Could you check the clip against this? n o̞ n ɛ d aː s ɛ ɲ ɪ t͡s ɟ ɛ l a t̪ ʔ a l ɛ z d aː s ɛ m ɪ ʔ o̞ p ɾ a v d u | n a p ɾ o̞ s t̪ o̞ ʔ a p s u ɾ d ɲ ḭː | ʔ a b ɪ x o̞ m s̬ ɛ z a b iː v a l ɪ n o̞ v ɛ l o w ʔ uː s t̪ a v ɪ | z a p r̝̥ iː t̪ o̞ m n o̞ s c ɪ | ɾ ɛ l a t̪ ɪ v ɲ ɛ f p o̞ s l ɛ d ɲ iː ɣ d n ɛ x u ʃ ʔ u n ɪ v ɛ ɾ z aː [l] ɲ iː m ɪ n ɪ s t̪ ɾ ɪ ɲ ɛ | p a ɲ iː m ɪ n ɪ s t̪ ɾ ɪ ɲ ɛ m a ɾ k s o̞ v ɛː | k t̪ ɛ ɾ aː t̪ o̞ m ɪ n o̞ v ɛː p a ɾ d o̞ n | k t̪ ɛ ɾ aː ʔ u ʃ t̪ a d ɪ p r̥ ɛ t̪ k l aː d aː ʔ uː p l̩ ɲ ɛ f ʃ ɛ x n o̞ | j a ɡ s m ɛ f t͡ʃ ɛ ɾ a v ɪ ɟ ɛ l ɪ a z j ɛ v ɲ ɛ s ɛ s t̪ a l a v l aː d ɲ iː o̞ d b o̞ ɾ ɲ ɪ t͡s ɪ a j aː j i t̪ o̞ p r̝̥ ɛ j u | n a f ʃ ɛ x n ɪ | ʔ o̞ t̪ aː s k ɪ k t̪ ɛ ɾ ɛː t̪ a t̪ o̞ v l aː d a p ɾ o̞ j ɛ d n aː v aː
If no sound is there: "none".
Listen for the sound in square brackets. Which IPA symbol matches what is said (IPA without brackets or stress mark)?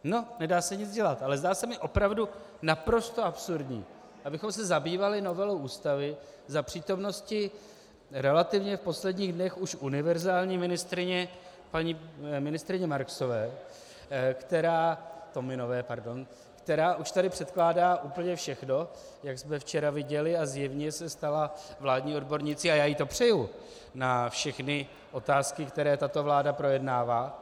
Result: l